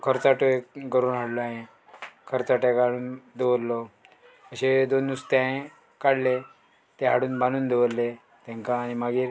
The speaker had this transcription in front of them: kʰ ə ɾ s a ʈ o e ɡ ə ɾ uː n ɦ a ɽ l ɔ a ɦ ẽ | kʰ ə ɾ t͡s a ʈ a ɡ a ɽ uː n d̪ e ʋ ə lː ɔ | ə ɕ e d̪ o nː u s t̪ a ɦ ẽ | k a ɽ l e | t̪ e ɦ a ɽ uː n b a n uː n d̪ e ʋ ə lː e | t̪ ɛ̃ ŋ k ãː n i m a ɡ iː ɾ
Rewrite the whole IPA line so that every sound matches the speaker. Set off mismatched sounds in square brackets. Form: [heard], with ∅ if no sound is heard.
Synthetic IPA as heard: kʰ ə ɾ [t͡s] a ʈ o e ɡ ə ɾ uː n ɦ a ɽ l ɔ a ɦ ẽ | kʰ ə ɾ t͡s a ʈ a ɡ a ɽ uː n d̪ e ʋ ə lː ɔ | ə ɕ e d̪ o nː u s t̪ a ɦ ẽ | k a ɽ l e | t̪ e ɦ a ɽ uː n b a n uː n d̪ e ʋ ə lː e | t̪ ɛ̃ ŋ k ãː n i m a ɡ iː ɾ